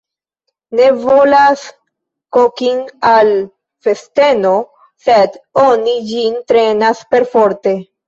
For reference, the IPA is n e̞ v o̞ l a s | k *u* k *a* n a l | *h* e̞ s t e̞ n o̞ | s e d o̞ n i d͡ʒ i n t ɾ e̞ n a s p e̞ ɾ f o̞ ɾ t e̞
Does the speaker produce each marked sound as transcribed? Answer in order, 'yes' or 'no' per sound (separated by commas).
no, no, no